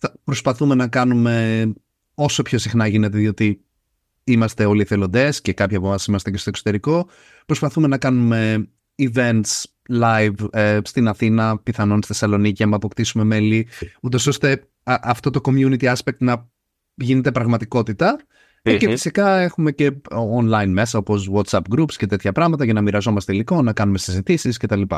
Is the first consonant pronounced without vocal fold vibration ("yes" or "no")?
yes